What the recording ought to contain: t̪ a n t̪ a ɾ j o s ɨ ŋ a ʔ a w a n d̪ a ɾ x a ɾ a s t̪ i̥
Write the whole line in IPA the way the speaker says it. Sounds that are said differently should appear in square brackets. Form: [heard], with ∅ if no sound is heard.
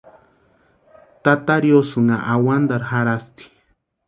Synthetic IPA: t̪ a [∅] t̪ a ɾ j o s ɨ ŋ a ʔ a w a n d̪ a ɾ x a ɾ a s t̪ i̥

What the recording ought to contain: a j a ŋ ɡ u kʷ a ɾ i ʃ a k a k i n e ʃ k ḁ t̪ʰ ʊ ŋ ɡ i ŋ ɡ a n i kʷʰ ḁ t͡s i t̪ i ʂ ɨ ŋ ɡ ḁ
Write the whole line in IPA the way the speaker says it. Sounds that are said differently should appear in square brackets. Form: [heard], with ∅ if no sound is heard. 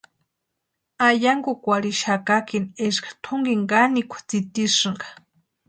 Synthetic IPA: a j a ŋ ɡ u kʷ a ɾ i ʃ a k a k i n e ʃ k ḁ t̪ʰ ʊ ŋ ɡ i ŋ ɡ a n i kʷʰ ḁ t͡s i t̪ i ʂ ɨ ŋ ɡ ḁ

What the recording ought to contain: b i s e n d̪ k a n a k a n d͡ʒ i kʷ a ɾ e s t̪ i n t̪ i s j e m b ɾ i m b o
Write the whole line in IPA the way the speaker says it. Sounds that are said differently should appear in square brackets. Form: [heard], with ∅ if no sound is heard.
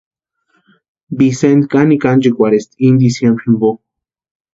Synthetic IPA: b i s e n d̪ k a n [i] k a n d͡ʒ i kʷ a ɾ e s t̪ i n [d̪] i s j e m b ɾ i m b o

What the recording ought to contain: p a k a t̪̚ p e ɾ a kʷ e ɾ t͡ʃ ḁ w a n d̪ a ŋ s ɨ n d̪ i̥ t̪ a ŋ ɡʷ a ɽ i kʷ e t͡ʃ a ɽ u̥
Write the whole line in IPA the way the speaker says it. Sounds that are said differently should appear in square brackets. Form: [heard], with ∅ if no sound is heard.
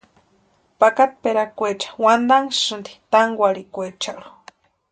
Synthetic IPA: p a k a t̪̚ p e ɾ a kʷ e [∅] t͡ʃ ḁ w a n d̪ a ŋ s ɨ n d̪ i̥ t̪ a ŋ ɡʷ a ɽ i kʷ e t͡ʃ a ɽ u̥

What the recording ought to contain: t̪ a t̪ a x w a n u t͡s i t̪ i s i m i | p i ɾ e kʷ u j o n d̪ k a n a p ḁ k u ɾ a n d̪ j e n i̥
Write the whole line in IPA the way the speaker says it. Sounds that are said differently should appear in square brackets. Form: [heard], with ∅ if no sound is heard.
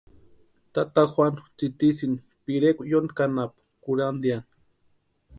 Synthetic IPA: t̪ a t̪ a x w a n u t͡s i t̪ i s i [n] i | p i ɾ e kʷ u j o n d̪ k a n a p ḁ k u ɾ a n d̪ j [a] n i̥

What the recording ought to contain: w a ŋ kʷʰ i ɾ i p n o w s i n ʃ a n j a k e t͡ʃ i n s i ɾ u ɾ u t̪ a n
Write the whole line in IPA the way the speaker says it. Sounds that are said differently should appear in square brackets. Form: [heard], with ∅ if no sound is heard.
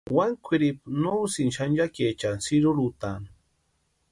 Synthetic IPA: w a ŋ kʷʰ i ɾ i p n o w s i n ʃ a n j a k e t͡ʃ [a] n s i ɾ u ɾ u t̪ a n

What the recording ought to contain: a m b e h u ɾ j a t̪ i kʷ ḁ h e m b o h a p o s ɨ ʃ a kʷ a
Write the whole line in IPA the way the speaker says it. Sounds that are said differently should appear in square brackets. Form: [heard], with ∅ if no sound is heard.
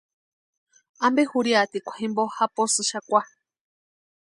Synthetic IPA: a m b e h u ɾ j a t̪ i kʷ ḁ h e m b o h a p o s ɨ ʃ a kʷ a

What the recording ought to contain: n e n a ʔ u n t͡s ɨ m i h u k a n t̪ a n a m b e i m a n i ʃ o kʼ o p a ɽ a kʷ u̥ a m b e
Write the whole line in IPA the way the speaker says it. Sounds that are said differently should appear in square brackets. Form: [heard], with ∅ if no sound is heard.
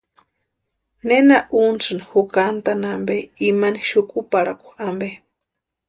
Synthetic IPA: n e n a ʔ u n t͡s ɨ [n] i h u k a n t̪ a n a m b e i m a n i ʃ [u] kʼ [u] p a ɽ a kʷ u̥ a m b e

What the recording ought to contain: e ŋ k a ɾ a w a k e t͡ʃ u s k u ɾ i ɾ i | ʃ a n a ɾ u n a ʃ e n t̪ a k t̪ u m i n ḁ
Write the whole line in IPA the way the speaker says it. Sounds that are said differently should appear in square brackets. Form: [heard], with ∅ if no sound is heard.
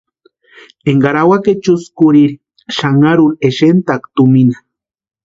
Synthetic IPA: e ŋ [ɡ] a ɾ a w a k e t͡ʃ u s k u ɾ i ɾ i | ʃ a [ŋ] a ɾ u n [e] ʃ e n t̪ a k t̪ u m i n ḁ

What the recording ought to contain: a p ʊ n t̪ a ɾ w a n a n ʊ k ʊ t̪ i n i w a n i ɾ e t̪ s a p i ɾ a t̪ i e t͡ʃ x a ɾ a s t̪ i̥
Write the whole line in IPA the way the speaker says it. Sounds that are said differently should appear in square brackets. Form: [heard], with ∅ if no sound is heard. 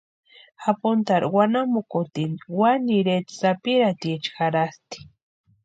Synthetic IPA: a p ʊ n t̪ a ɾ w a n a [m] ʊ k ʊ t̪ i n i w a n i ɾ e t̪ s a p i ɾ a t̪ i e t͡ʃ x a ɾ a s t̪ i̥

